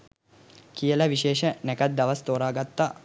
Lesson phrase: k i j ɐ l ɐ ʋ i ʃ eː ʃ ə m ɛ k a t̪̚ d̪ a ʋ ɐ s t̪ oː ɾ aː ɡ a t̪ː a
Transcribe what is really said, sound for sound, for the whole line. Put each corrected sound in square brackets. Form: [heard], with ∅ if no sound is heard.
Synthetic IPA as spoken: k i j [ə] l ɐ ʋ i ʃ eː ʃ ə [n] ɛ k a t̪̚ d̪ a ʋ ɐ s t̪ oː ɾ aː ɡ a t̪ː a

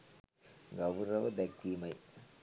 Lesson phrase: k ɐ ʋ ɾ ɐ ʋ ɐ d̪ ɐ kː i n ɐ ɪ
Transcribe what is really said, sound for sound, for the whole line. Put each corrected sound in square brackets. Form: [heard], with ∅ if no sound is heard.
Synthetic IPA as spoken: [ɡ] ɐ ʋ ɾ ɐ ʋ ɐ d̪ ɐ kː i [m] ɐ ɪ

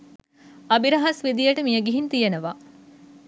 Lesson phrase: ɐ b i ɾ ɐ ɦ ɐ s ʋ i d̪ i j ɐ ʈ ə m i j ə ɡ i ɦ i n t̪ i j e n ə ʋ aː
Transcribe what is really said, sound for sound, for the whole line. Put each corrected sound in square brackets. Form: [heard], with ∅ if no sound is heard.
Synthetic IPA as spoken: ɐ b i ɾ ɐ ɦ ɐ s ʋ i d̪ i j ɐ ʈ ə m i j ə ɡ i ɦ i n t̪ i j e n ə ʋ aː

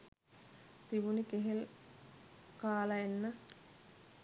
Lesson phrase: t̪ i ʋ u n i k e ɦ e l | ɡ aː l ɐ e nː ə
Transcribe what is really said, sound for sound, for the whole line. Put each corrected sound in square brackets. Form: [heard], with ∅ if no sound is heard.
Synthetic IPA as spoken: t̪ i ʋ u n i k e ɦ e l | [k] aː l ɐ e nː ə

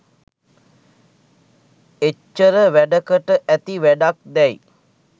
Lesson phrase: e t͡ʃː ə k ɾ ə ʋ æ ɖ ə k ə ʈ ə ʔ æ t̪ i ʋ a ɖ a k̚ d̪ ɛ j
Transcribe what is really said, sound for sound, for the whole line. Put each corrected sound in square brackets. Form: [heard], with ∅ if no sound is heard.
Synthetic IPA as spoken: e t͡ʃː ə [∅] ɾ ə ʋ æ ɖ ə k ə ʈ ə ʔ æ t̪ i ʋ [æ] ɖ a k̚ d̪ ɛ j

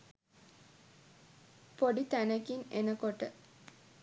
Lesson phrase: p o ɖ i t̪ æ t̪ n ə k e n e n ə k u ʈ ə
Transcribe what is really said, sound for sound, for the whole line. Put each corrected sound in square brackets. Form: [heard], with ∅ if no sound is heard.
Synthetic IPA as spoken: p o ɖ i t̪ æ [∅] n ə k [i] n e n ə k [o] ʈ ə

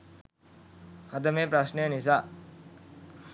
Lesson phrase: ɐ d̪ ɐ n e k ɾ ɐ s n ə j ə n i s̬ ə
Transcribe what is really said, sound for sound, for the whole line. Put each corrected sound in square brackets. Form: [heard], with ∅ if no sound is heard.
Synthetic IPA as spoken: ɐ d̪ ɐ [m] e [p] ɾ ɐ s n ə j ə n i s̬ [a]

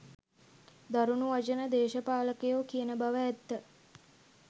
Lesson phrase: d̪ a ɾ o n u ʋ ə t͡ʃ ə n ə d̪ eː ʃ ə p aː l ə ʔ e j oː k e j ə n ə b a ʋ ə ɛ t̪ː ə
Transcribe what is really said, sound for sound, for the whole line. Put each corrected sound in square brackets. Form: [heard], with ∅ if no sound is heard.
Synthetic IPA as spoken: d̪ a ɾ [u] n u ʋ [a] t͡ʃ ə n ə d̪ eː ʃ ə p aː l ə [k] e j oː k [i] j ə n ə b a ʋ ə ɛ t̪ː ə

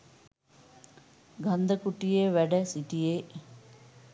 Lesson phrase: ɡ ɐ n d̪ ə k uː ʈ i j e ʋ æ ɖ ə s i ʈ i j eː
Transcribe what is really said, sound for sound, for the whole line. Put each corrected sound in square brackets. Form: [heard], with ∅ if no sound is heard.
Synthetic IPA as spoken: ɡ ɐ n d̪ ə k [u] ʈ i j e ʋ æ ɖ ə s i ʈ i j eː

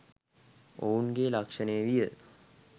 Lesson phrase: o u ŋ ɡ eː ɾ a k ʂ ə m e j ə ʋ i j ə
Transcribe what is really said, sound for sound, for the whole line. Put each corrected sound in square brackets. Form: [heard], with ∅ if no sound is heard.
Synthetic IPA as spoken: o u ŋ ɡ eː [l] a k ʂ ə [n] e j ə ʋ i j ə

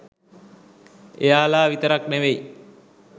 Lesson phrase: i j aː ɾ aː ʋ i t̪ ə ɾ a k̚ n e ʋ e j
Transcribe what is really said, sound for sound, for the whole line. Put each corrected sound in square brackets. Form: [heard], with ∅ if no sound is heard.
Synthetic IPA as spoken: [e] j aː [l] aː ʋ i t̪ ə ɾ a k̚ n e ʋ e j

